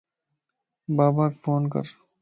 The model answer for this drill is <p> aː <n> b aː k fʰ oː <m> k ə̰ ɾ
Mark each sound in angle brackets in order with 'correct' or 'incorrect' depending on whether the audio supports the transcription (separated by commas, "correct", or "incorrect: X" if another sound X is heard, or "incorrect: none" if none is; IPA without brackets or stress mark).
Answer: incorrect: b, incorrect: none, incorrect: n